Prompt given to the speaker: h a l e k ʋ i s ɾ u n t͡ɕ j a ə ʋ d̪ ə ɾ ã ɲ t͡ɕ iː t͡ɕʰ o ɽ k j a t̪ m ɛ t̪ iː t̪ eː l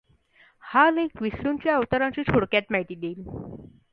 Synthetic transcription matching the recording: h a l e k ʋ i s ɾ u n t͡ɕ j a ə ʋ t̪ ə ɾ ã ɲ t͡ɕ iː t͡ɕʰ o ɽ k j a t̪ m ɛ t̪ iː d̪ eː l